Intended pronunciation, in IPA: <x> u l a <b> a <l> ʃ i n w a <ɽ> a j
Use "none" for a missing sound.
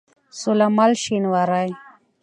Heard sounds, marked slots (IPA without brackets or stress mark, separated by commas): s, m, l, ɾ